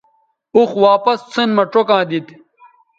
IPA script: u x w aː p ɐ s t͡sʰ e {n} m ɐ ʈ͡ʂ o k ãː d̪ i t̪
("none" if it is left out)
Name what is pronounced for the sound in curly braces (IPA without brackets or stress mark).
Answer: n